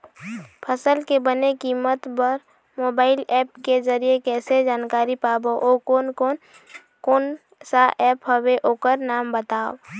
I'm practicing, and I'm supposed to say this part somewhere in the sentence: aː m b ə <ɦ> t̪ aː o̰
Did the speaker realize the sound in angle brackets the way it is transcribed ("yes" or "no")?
no